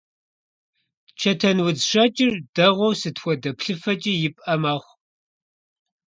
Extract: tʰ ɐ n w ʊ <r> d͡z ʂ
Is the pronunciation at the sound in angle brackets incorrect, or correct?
incorrect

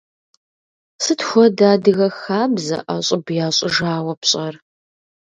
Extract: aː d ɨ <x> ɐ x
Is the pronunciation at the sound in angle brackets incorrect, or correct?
incorrect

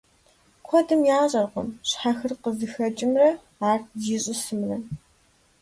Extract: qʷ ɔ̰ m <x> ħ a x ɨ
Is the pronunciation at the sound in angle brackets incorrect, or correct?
incorrect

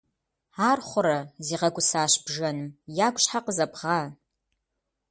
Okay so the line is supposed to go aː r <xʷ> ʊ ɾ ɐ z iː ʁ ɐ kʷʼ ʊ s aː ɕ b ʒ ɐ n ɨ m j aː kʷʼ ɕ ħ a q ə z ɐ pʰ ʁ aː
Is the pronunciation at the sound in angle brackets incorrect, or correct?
incorrect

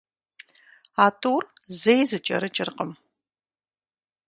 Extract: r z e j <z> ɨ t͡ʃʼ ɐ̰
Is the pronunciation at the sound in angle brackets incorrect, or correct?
correct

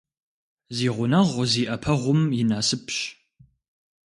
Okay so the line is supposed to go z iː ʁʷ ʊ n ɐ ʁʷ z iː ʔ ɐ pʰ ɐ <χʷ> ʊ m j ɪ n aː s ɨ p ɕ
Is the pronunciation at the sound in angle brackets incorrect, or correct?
incorrect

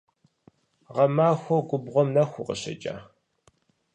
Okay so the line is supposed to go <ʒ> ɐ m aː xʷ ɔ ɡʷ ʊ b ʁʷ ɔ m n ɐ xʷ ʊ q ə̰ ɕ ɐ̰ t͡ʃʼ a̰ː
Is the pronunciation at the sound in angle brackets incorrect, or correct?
incorrect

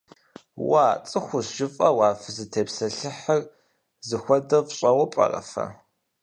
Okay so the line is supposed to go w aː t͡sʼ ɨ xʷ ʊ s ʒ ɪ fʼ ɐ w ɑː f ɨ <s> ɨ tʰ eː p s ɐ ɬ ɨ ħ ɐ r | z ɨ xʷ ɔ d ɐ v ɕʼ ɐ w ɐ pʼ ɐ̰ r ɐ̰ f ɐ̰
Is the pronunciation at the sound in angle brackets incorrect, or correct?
incorrect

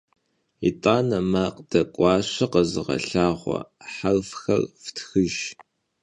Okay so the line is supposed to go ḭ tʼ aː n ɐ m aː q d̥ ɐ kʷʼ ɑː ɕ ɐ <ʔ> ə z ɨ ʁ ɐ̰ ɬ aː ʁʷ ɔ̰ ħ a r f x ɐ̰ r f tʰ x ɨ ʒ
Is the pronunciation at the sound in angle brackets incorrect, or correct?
incorrect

